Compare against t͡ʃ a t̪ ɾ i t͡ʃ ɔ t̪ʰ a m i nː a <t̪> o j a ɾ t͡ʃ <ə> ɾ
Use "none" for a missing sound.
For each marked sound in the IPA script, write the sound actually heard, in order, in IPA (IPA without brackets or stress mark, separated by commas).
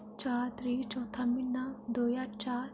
d̪, a